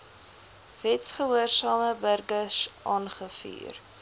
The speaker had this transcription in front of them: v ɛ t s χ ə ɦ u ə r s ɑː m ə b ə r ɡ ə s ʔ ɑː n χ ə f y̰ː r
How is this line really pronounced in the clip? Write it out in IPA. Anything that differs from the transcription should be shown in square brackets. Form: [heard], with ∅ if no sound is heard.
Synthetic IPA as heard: v ɛ t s χ ə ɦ u ə r s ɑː m ə b ə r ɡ ə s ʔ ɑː n χ ə f y̰ː r

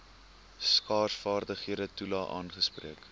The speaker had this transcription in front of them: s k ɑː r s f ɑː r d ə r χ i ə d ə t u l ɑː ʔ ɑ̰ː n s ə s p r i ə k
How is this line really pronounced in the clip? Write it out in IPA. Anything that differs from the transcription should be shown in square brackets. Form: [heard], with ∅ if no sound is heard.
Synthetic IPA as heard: s k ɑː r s f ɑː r d ə [∅] χ i ə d ə t u l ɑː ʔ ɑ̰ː n [χ] ə s p r i ə k

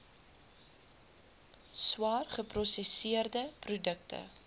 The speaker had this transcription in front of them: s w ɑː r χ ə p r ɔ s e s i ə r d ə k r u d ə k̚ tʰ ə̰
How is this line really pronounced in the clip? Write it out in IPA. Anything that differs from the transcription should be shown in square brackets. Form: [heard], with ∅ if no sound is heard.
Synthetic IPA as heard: s w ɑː r χ ə p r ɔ s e s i ə r d ə [p] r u d ə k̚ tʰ ə̰

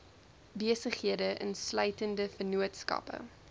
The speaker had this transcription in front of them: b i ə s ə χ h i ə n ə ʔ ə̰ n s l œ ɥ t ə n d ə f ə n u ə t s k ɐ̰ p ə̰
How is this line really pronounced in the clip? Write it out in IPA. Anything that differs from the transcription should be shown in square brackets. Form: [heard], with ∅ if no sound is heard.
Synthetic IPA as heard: b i ə s ə χ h i ə [d] ə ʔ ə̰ n s l œ ɥ t ə n d ə f ə n u ə t s k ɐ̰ p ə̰

